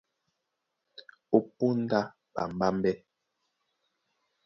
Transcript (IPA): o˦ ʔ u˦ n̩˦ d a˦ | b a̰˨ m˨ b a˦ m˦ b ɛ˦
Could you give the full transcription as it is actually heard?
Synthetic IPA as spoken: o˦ p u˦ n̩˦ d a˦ | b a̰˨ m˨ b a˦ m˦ b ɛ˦